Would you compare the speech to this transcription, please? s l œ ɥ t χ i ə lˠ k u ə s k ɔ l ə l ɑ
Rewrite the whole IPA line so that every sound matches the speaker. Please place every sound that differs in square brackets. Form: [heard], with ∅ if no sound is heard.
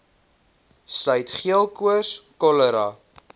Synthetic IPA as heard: s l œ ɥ t χ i ə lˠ k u ə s k ɔ l ə [ɾ] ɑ